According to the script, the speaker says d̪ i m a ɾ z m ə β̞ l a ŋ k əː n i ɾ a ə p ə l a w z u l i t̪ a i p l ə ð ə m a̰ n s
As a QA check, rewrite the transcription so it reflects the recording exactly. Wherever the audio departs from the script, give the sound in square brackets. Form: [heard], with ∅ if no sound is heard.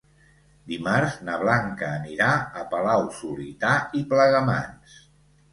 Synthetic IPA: d̪ i m a ɾ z [n] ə β̞ l a ŋ k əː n i ɾ a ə p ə l a w [s] u l i t̪ a i p l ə [ɣ] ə m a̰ n s